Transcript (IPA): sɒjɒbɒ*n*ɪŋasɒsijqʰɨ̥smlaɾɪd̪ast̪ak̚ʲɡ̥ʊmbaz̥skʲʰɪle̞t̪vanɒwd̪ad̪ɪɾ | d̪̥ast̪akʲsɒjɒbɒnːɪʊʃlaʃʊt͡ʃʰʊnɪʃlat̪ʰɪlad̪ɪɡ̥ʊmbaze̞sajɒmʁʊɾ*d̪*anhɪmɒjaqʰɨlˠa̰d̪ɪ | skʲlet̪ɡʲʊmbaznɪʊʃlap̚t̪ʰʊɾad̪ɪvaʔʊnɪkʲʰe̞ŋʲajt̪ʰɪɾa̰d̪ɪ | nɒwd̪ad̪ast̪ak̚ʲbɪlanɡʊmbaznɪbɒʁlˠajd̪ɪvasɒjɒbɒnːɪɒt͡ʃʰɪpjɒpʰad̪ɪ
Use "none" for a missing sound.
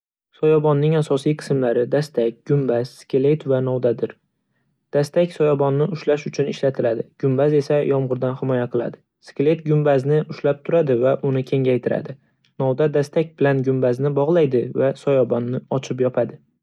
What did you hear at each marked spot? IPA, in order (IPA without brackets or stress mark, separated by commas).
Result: nː, d̪